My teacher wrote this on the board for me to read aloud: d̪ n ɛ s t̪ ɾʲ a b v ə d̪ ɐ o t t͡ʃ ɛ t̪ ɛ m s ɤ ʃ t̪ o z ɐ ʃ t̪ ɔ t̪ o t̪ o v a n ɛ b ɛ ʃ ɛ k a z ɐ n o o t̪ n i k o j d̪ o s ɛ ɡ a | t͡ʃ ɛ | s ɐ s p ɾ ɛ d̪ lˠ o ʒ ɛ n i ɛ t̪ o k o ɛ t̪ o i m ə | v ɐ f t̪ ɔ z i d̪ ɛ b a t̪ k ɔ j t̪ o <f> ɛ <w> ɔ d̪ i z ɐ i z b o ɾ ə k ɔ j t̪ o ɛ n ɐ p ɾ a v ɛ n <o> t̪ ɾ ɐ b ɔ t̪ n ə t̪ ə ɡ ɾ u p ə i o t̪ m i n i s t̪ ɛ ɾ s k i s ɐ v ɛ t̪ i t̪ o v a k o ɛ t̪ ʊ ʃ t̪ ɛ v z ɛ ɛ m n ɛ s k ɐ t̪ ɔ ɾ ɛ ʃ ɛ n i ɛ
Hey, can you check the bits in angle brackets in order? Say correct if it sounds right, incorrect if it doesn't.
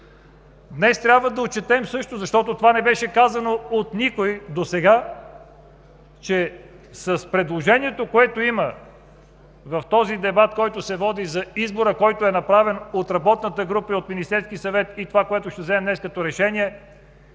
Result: incorrect: s, incorrect: v, correct

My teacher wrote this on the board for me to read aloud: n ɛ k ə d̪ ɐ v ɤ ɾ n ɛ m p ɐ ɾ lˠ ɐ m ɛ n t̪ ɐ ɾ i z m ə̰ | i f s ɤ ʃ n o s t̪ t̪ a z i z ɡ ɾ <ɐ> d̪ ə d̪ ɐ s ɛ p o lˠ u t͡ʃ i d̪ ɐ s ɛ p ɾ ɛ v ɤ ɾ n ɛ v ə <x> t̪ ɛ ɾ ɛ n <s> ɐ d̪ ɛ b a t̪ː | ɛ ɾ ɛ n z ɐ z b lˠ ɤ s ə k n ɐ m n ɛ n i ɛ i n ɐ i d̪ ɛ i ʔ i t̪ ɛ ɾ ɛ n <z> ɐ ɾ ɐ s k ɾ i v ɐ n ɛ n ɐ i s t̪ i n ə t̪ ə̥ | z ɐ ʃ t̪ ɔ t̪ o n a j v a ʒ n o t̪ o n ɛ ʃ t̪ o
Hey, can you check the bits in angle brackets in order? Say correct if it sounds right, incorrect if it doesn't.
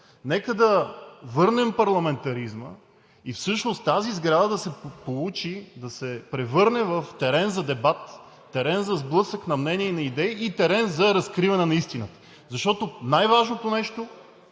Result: incorrect: a, incorrect: f, incorrect: z, correct

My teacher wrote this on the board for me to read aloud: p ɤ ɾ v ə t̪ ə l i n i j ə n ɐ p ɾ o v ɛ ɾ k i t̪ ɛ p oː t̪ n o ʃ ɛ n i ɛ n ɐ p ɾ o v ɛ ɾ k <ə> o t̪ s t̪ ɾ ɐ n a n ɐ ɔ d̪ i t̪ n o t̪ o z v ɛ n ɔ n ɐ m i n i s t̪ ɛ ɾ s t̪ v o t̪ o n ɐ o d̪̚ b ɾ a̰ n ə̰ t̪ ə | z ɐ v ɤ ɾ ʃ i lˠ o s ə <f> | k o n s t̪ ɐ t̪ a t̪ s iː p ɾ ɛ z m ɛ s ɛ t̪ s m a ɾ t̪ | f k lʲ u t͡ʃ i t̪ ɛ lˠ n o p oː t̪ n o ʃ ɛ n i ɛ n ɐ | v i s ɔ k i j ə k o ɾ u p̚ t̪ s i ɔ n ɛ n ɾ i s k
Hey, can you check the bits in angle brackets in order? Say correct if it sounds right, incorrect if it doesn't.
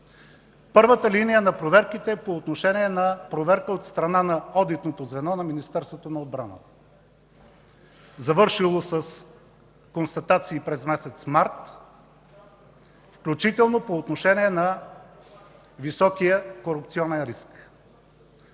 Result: correct, incorrect: s

